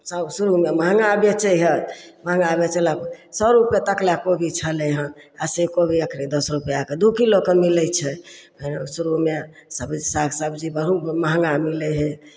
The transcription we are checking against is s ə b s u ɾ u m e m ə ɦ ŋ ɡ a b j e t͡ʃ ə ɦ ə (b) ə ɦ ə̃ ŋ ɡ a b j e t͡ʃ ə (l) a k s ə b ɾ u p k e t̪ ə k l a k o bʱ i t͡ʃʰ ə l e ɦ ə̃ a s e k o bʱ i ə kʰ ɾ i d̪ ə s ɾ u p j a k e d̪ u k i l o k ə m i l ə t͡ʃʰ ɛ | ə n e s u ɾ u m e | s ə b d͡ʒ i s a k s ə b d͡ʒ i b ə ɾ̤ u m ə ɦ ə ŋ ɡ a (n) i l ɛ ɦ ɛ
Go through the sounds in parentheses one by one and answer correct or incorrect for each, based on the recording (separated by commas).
incorrect, correct, incorrect